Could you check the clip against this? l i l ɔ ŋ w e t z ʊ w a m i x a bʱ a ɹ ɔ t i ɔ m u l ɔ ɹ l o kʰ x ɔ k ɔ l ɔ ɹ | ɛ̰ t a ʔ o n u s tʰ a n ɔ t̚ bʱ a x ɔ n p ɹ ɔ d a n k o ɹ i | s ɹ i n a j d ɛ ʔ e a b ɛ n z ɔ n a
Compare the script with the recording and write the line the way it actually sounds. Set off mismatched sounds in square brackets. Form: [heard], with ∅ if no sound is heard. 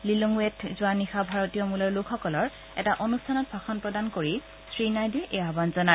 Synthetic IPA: l i l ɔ ŋ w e t z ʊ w a [n] i x a bʱ a ɹ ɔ t i ɔ m u l ɔ ɹ l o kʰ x ɔ k ɔ l ɔ ɹ | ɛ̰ t a ʔ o n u s tʰ a n ɔ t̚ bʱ a x ɔ n p ɹ ɔ d a n k o ɹ i | s ɹ i n a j d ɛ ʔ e a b [a] n z ɔ n a